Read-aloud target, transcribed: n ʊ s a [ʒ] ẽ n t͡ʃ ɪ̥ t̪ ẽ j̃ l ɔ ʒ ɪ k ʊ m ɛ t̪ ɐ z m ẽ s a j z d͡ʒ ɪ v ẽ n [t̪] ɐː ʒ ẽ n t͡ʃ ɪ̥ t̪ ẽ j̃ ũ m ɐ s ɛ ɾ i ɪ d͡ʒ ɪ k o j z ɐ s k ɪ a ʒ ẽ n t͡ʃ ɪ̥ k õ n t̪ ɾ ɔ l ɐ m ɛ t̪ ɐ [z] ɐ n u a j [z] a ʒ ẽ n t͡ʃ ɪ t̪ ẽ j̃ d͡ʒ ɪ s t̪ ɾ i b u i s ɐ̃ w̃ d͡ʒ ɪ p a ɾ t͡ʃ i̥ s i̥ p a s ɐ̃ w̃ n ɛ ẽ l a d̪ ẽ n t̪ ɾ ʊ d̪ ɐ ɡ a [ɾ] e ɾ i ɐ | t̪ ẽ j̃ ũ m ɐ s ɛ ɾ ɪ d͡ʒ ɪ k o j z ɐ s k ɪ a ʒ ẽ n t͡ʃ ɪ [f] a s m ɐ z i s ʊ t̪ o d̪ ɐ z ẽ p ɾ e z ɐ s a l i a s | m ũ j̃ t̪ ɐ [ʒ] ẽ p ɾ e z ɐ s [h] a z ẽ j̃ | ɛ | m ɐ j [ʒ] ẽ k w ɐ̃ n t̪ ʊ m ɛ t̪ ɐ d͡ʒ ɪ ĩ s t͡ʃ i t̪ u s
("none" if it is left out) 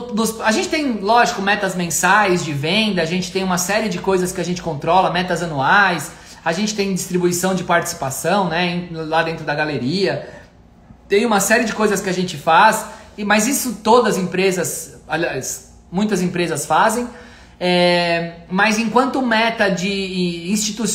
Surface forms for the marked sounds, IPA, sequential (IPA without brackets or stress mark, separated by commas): ʒ, d̪, z, s, l, f, z, f, z